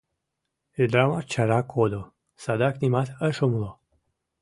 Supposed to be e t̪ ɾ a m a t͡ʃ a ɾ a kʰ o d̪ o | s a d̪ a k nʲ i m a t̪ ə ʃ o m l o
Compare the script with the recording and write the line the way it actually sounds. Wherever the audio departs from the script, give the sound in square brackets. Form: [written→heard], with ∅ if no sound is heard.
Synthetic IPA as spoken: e [t̪→d̪] ɾ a m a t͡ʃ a ɾ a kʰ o d̪ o | s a d̪ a k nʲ i m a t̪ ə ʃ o m l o